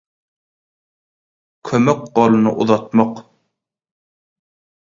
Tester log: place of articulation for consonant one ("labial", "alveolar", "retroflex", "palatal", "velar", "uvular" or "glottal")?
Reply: velar